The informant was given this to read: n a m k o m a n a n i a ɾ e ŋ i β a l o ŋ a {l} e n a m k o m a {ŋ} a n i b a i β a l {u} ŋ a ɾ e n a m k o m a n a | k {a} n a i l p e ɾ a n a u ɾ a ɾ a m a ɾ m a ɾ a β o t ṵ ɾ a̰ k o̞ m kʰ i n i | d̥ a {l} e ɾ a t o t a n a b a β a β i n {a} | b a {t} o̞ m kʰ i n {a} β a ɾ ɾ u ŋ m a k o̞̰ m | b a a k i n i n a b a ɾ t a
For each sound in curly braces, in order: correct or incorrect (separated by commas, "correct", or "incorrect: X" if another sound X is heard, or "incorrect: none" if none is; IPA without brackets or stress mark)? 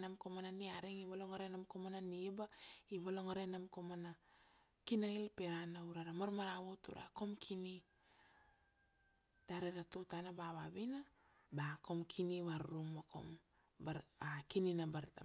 incorrect: ɾ, incorrect: n, incorrect: o, incorrect: i, incorrect: ɾ, correct, incorrect: k, incorrect: i